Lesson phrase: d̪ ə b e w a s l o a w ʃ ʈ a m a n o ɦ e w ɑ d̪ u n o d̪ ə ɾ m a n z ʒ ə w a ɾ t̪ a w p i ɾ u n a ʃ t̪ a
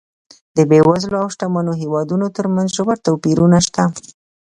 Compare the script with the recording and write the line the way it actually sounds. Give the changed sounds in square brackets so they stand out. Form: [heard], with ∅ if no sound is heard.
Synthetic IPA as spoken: d̪ ə b e w a [z] l o a w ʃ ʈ a m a n o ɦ e w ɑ d̪ u n o [t̪] ə ɾ m a n z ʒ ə w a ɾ t̪ a w p i ɾ u n a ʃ t̪ a